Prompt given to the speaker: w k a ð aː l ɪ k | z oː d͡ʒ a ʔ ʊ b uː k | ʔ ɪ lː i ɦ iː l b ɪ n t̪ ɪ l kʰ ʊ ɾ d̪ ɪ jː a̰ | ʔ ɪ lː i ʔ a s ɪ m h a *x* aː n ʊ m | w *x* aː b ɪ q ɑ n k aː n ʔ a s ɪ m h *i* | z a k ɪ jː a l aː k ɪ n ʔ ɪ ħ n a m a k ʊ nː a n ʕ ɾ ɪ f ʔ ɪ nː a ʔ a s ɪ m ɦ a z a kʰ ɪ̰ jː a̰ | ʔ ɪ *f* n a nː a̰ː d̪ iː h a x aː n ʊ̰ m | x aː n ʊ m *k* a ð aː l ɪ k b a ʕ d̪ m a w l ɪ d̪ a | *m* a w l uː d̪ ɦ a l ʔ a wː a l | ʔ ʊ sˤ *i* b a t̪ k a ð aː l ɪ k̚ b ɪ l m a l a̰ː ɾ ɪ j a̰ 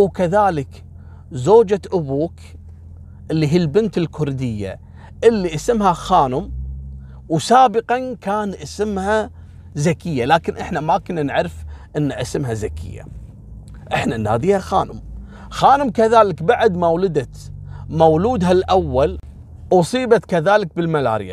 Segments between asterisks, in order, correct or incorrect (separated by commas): correct, incorrect, incorrect, incorrect, correct, correct, incorrect